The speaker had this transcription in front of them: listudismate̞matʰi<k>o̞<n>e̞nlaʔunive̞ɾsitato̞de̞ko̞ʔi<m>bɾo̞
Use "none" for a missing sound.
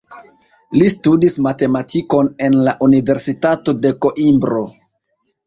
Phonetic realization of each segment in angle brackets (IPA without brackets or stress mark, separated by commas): k, n, m